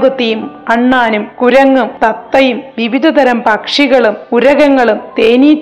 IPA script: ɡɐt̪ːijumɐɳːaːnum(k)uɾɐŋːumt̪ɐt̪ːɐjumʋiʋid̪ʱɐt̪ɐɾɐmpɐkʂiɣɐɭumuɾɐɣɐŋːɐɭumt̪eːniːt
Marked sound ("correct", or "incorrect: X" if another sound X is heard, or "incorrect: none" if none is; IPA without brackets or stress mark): correct